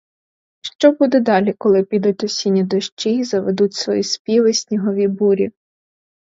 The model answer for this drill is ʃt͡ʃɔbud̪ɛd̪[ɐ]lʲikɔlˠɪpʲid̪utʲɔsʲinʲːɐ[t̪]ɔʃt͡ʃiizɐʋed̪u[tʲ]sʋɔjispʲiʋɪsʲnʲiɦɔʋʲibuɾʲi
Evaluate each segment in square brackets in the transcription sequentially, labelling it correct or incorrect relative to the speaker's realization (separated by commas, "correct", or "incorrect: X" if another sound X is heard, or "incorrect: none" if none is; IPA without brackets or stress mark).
incorrect: ɑ, incorrect: d̪, correct